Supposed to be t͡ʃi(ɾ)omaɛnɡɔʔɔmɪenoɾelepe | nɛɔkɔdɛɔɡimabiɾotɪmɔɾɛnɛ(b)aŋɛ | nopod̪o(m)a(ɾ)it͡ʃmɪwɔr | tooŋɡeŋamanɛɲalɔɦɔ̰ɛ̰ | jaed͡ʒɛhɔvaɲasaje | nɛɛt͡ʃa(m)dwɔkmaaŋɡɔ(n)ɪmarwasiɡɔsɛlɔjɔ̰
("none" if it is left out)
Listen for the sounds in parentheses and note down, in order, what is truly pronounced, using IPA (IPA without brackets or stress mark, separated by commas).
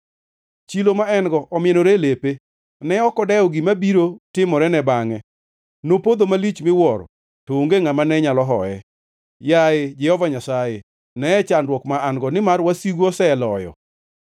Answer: l, b, m, l, n, n